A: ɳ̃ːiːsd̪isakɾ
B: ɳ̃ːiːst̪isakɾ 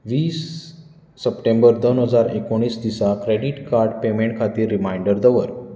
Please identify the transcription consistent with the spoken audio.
A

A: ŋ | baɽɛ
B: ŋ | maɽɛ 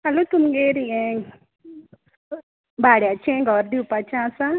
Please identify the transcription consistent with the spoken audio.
A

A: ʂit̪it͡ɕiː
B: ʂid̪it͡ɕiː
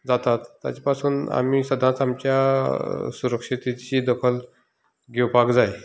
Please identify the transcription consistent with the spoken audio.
A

